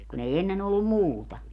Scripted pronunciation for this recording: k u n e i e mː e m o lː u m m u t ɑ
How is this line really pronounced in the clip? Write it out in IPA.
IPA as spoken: k u n e i e nː e n o lː u m m uː t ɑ